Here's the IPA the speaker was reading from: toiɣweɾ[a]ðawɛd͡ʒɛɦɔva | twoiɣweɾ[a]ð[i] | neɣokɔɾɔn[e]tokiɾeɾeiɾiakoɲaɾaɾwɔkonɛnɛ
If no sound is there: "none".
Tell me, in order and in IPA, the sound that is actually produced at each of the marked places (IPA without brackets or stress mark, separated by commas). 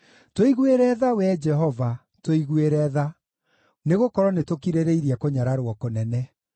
ɛ, ɛ, a, e